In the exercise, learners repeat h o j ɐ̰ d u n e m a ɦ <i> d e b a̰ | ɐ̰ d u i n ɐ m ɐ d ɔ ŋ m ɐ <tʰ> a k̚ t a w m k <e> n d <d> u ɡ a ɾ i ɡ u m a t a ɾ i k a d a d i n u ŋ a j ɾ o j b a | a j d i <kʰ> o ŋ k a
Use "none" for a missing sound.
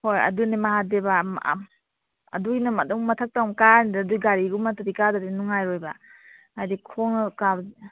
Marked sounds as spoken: a, tʰ, a, d, kʰ

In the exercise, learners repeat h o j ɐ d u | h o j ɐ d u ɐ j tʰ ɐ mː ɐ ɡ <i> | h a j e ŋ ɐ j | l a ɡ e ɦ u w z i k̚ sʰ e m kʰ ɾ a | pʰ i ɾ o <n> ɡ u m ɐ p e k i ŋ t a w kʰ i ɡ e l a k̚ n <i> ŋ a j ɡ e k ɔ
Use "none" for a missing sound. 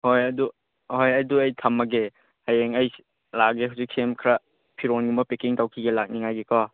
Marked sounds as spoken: e, n, i

